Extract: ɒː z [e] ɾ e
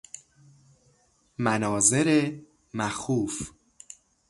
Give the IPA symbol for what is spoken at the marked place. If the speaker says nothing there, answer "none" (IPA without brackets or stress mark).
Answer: e